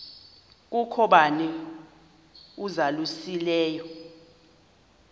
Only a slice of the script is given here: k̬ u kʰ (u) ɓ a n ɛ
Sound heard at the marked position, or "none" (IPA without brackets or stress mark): ɔ